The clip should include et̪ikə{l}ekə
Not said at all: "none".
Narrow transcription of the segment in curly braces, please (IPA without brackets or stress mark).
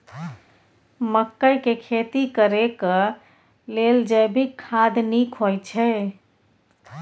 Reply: ɾ